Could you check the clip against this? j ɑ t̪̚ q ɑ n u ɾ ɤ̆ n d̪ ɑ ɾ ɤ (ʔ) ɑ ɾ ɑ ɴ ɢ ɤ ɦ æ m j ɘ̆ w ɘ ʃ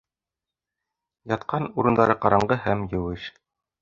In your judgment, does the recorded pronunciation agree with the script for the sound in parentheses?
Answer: no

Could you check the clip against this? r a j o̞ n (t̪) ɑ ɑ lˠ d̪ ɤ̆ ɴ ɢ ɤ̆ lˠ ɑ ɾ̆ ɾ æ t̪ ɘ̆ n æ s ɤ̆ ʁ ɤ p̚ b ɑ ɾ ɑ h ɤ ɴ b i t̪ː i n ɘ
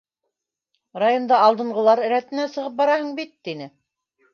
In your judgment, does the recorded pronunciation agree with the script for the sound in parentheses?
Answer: no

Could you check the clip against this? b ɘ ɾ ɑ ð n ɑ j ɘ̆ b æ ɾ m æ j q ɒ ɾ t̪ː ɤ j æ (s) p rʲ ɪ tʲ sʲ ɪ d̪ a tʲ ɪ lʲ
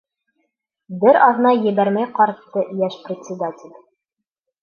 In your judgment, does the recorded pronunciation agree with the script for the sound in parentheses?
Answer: no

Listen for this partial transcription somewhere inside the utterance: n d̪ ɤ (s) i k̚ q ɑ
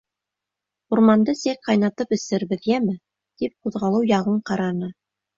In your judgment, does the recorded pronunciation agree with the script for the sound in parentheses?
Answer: yes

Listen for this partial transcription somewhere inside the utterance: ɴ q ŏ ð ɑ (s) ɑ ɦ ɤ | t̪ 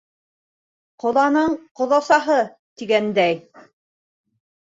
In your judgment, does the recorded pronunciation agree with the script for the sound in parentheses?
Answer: yes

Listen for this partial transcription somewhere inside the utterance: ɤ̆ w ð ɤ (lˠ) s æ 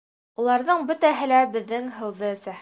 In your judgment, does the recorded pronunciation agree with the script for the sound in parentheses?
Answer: no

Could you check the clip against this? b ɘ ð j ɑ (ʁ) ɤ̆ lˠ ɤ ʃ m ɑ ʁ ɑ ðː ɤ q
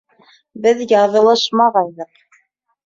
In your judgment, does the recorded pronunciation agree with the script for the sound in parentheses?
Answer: no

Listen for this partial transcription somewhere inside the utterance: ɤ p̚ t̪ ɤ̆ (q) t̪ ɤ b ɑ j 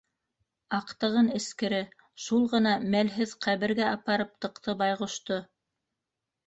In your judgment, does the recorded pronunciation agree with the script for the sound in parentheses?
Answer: yes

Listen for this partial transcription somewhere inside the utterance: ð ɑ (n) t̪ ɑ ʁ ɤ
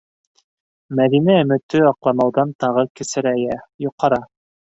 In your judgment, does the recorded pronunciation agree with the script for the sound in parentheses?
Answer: yes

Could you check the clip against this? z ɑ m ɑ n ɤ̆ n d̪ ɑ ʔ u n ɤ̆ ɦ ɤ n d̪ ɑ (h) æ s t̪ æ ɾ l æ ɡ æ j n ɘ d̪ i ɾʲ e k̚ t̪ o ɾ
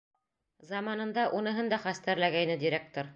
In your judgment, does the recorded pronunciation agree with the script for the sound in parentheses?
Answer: no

